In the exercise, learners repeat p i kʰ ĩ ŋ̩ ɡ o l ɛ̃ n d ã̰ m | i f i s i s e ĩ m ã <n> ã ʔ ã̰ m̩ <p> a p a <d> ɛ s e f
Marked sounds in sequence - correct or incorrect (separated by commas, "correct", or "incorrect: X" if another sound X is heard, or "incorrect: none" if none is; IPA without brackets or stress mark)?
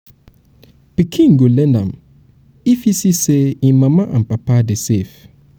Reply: incorrect: m, correct, correct